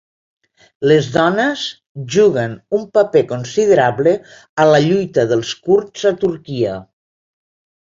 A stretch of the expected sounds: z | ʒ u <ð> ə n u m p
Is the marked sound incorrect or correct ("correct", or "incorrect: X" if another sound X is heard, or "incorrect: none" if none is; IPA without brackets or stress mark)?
incorrect: ɣ